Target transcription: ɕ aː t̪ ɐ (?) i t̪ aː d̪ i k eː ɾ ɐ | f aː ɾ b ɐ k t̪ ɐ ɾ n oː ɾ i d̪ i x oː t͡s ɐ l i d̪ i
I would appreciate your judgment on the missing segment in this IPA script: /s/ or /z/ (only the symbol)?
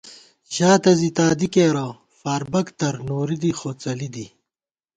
z